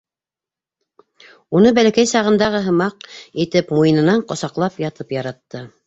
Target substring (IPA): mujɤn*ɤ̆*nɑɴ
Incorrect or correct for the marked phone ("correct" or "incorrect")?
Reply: correct